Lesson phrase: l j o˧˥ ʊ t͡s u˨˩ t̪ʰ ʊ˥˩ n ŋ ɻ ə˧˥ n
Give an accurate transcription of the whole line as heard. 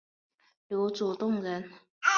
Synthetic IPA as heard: l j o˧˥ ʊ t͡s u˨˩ t̪ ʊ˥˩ ŋ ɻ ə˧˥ n